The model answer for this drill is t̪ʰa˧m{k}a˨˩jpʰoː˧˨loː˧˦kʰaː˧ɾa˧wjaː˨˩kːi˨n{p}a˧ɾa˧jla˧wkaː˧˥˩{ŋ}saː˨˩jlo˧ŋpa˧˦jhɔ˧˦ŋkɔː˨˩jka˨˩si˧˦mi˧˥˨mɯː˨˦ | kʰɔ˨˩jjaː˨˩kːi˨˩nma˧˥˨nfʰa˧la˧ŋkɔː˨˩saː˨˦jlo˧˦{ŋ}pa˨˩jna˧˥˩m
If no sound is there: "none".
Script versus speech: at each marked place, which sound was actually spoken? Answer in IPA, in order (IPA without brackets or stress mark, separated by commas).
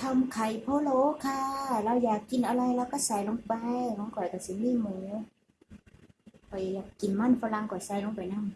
kʰ, ʔ, none, ŋ